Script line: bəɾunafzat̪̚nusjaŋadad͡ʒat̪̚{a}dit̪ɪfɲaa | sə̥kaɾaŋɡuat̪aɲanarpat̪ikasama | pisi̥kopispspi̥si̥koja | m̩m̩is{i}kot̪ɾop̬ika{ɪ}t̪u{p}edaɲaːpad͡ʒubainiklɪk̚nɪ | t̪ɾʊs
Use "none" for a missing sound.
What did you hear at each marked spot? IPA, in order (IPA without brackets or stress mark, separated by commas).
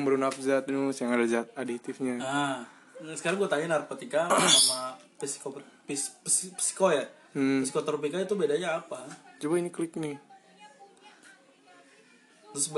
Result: a, i, i, b